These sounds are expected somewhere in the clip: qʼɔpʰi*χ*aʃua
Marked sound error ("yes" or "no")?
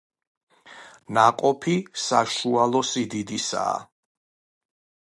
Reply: yes